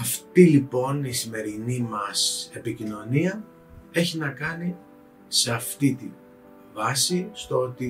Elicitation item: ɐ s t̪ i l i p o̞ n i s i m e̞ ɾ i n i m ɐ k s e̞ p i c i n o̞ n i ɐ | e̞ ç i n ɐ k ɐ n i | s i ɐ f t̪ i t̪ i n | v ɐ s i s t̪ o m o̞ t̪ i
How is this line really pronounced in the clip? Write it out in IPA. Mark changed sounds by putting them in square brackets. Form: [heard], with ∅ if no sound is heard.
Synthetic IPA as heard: ɐ [f] t̪ i l i p o̞ n i s i m e̞ ɾ i n i m ɐ [∅] s e̞ p i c i n o̞ n i ɐ | e̞ ç i n ɐ k ɐ n i | s [e] ɐ f t̪ i t̪ i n | v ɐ s i s t̪ o [∅] o̞ t̪ i